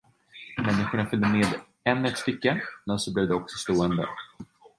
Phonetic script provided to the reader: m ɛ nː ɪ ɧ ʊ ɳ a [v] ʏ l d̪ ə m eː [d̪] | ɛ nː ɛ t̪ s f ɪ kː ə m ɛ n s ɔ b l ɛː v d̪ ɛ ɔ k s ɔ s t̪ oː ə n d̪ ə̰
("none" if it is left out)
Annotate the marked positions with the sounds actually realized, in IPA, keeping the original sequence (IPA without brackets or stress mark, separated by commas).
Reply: f, d̪